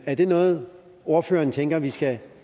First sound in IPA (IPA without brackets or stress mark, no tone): æ